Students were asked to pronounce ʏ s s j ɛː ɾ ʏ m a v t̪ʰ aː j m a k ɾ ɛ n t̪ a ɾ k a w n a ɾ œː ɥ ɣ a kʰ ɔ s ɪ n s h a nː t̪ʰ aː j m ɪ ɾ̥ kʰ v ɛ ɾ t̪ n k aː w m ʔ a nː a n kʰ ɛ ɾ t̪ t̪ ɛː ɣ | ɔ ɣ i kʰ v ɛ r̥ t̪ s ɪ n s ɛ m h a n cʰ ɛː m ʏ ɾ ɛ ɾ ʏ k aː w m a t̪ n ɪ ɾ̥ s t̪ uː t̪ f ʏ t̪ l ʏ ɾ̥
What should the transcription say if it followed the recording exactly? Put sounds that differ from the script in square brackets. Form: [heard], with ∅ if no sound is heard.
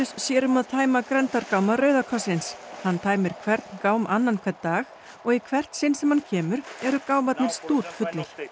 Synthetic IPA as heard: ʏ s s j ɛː ɾ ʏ m a [ð] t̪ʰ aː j m a k ɾ ɛ n t̪ a ɾ k a w [m] a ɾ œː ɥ [ð] a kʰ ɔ s ɪ n s h a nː t̪ʰ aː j m ɪ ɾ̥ kʰ v ɛ ɾ t̪ n k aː w m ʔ a nː a n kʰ ɛ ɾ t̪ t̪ [aː] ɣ | ɔ ɣ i kʰ v ɛ r̥ t̪ s ɪ n s ɛ m h a n cʰ ɛː m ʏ ɾ ɛ ɾ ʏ k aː w m a t̪ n ɪ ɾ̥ s t̪ uː t̪ f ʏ t̪ l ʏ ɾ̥

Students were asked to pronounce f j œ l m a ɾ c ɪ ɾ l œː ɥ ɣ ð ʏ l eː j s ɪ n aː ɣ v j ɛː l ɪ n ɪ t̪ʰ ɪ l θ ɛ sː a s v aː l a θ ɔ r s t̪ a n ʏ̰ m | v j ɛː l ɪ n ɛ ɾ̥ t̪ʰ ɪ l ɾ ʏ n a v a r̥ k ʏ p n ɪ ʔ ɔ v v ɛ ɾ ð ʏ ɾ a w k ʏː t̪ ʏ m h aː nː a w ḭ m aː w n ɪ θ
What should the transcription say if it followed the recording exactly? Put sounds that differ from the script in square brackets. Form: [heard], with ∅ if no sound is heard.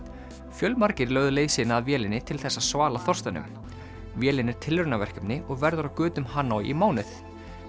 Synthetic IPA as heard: f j œ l m a ɾ c ɪ ɾ l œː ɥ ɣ ð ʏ l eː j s ɪ n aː [ð] v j ɛː l ɪ n ɪ t̪ʰ ɪ l θ ɛ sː a s v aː l a θ ɔ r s t̪ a n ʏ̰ m | v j ɛː l ɪ n ɛ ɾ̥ t̪ʰ ɪ l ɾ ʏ n a v [ɛ] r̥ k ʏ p n ɪ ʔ ɔ [ɣ] v ɛ ɾ ð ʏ ɾ a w k ʏː t̪ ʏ m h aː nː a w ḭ m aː w n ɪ θ

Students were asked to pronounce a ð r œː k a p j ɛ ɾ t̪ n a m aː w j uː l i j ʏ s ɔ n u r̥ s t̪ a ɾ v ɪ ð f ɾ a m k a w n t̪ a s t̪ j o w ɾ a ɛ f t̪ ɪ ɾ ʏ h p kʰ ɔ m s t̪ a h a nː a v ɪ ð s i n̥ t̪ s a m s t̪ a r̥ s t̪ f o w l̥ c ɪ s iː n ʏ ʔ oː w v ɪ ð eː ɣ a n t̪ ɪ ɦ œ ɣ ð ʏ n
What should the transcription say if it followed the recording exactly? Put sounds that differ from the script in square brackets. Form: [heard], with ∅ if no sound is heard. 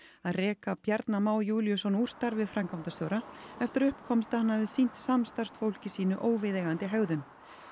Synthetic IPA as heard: a ð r [ɛː] k a p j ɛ ɾ t̪ n a m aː w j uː l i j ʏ s ɔ n u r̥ s t̪ a ɾ v ɪ ð f ɾ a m k a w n t̪ a s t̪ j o w ɾ a ɛ f t̪ ɪ ɾ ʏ h p kʰ ɔ m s t̪ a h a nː a v ɪ ð s i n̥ t̪ s a m s t̪ a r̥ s t̪ f o w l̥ c ɪ s iː n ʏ ʔ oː w v ɪ ð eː ɣ a n t̪ ɪ ɦ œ ɣ ð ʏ n

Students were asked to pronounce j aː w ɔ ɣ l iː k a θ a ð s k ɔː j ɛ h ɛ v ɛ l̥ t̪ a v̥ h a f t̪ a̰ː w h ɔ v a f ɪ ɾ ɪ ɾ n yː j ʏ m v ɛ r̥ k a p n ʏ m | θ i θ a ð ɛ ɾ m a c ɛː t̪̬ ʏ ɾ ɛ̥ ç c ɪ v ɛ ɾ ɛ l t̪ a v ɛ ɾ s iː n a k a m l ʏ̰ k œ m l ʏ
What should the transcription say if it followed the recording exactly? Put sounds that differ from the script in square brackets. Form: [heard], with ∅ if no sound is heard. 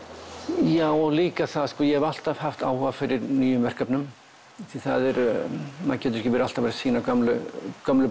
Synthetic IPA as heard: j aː w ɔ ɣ l iː k a θ a ð s k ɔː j ɛ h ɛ v [a] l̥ t̪ a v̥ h a f t̪ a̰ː w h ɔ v a f ɪ ɾ ɪ ɾ n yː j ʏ m v ɛ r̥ k a p n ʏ m | θ i θ a ð ɛ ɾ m a c ɛː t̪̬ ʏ ɾ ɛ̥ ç c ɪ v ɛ ɾ [a] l t̪ a v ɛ ɾ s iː n a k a m l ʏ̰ k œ m l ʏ

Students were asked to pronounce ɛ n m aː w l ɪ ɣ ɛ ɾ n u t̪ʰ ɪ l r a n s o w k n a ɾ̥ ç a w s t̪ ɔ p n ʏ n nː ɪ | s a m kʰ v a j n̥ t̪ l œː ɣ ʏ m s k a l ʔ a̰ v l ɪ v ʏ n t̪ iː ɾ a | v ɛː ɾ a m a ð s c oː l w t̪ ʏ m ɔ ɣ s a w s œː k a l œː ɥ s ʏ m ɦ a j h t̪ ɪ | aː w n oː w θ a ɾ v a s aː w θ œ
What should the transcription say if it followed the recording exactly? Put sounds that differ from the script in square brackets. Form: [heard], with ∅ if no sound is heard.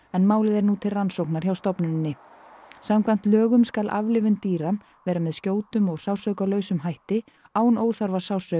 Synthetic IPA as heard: ɛ n m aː w l ɪ [ð] ɛ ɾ n u t̪ʰ ɪ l r a n s o w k n a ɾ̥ ç a w s t̪ ɔ p n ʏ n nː ɪ | s a m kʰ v a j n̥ t̪ l œː ɣ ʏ m s k a l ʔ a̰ v l ɪ v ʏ n t̪ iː ɾ a | v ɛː ɾ a m [ɛ] ð s c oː [∅] w t̪ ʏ m ɔ ɣ s a w s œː k a l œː ɥ s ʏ m ɦ a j h t̪ ɪ | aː w n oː w θ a ɾ v a s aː w [s] œ

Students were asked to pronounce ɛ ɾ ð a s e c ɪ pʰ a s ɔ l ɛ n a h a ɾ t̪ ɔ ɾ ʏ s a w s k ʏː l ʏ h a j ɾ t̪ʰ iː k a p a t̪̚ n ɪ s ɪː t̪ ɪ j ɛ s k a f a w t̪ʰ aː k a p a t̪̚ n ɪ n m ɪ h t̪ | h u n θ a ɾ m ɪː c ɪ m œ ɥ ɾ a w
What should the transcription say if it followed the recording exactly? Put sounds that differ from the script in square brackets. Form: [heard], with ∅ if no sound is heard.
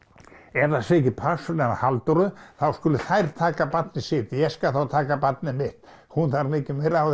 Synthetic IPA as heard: ɛ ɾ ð a s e c ɪ pʰ a s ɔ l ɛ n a h a [l] t̪ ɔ ɾ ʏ [θ] a w s k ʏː l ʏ [θ] a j ɾ t̪ʰ [aː] k a p a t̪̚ n ɪ s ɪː t̪ ɪ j ɛ s k a [θ] a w t̪ʰ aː k a p a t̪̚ n ɪ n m ɪ h t̪ | h u n θ a ɾ m ɪː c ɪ m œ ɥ ɾ a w

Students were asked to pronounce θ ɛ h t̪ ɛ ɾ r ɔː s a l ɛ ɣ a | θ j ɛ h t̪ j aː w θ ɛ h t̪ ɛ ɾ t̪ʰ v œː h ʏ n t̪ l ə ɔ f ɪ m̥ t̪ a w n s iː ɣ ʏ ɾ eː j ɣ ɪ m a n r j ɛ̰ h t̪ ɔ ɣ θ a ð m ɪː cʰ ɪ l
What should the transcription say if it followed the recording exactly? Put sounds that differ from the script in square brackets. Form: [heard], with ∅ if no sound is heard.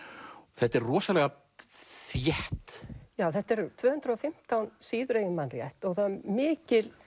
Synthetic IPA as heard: θ ɛ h t̪ ɛ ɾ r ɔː s a l ɛ ɣ a | θ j ɛ h t̪ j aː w θ ɛ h t̪ ɛ ɾ t̪ʰ v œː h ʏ n t̪ [ɾ] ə ɔ f ɪ m̥ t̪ a w n s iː [ð] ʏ ɾ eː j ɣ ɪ m a n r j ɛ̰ h t̪ ɔ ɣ θ a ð m ɪː [c] ɪ l

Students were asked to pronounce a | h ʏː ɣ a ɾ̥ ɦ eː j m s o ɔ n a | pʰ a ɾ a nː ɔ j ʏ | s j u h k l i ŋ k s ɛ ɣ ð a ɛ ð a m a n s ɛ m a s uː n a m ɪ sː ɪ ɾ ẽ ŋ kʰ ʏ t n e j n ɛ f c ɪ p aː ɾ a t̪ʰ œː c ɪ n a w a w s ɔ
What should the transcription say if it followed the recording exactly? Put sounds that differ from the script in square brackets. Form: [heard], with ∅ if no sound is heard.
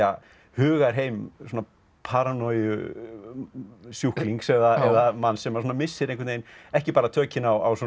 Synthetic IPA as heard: a | h ʏː ɣ a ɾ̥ ɦ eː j m s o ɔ n a | pʰ a ɾ a [n] ɔ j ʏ | s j u h k l i ŋ k s ɛ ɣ ð a ɛ ð a m a n s ɛ m a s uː n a m ɪ sː ɪ ɾ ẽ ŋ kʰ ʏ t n e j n ɛ [h] c ɪ p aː ɾ a t̪ʰ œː c ɪ n a w a w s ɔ

